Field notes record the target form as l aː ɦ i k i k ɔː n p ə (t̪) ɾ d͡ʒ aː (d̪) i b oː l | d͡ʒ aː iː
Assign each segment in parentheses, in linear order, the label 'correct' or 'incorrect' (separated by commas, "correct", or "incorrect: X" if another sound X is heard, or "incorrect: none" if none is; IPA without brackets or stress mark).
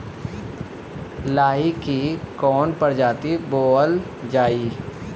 incorrect: none, incorrect: t̪